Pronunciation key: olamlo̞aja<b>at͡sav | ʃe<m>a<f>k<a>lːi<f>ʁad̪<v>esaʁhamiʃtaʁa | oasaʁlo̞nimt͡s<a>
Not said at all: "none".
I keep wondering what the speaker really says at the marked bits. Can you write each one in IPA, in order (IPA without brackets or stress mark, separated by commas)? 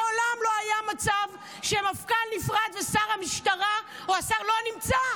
m, m, f, a, f, v, a